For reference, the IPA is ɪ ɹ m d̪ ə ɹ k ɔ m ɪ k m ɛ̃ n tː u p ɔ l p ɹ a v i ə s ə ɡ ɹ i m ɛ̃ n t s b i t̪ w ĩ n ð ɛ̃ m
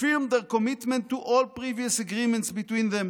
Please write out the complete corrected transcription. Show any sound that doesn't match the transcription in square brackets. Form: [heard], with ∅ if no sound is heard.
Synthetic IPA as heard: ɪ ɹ m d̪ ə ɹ k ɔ m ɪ [t] m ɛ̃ n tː u [ʔ] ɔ l p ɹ [i] v i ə s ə ɡ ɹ i m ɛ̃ n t s b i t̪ w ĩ n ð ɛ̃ m